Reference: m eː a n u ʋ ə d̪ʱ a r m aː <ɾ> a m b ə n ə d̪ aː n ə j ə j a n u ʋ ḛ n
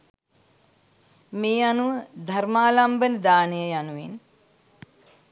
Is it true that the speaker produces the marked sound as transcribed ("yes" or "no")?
no